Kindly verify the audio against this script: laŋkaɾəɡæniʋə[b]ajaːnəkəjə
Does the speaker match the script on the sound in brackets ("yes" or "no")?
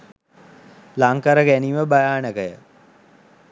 yes